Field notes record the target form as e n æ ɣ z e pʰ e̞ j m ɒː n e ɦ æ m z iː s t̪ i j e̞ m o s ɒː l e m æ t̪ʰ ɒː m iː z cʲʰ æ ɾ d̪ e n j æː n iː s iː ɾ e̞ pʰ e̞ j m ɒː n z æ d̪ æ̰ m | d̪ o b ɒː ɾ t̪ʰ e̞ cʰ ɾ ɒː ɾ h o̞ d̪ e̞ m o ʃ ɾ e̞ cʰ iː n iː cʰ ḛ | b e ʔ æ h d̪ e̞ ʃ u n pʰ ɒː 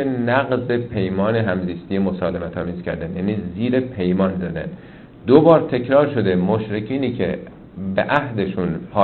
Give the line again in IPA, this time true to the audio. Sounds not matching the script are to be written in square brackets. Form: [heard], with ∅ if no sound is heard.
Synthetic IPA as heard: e n æ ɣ z e pʰ e̞ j m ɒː n e ɦ æ m z iː s t̪ i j e̞ m o s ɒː l e m æ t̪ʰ ɒː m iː z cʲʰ æ ɾ d̪ [æ] n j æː n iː [z] iː ɾ e̞ pʰ e̞ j m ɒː n z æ d̪ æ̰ [n] | d̪ o b ɒː ɾ t̪ʰ e̞ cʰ ɾ ɒː ɾ [ʃ] o̞ d̪ e̞ m o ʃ ɾ e̞ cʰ iː n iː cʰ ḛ | b e ʔ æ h d̪ e̞ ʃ u n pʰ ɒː